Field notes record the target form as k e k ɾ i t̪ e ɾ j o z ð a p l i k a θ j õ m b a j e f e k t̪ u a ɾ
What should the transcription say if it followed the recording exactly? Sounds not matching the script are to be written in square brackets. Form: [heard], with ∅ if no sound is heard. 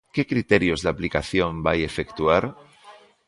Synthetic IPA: k e k ɾ i t̪ e ɾ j o z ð a p l i k a θ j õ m b a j e f e k t̪ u a ɾ